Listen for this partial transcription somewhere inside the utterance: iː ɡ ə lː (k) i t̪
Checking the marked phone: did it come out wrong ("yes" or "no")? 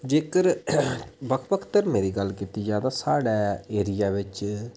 no